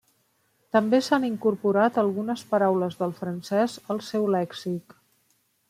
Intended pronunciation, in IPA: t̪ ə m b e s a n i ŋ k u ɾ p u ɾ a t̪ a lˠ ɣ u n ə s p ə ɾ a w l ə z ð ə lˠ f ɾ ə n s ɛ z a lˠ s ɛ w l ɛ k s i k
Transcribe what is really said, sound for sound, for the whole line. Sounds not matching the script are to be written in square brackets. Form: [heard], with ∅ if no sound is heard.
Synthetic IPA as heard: t̪ ə m b e s a n i ŋ k u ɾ p u ɾ a t̪ [ə] lˠ ɣ u n ə s p ə ɾ a w l ə z ð ə lˠ f ɾ ə n s ɛ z [ə] lˠ s ɛ w l ɛ k s i k